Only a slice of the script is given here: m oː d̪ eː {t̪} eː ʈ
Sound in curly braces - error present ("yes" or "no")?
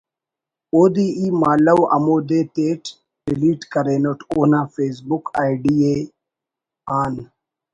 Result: no